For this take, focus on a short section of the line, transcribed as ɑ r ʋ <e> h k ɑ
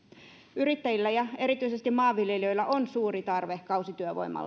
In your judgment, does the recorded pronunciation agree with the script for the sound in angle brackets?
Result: yes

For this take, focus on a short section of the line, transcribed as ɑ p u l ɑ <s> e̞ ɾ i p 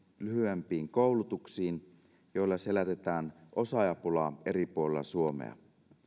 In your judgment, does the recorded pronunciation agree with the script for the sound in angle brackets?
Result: no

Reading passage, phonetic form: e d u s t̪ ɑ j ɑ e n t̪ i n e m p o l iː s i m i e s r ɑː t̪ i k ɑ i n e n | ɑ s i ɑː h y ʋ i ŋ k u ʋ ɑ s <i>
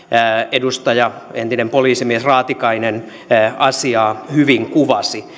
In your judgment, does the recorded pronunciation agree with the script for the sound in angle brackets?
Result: yes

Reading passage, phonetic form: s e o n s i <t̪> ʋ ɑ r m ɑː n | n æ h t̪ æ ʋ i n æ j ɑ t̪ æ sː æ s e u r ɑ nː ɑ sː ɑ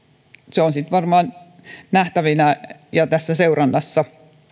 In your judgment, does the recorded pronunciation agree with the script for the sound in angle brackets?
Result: yes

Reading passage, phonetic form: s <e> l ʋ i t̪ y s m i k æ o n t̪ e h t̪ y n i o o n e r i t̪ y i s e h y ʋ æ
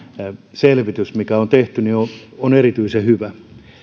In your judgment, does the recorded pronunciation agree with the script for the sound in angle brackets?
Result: yes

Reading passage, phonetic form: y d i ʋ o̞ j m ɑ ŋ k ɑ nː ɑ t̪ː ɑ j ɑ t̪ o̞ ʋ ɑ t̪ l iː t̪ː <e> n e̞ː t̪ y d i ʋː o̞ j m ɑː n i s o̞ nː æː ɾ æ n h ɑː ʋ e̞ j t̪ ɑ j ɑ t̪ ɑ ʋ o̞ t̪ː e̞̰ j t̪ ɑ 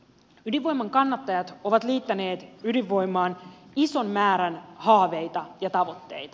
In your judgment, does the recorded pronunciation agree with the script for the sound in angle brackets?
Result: no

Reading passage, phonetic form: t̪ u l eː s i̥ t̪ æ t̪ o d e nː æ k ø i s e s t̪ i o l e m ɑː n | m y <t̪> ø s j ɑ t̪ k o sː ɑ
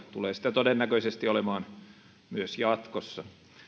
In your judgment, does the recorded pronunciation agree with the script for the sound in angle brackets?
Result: no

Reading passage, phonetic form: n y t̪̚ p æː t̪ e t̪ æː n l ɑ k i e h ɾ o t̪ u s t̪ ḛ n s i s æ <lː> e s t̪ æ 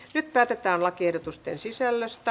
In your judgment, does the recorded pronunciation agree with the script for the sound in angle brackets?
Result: yes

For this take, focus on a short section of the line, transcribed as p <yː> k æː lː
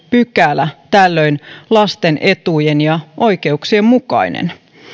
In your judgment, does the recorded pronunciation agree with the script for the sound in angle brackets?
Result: no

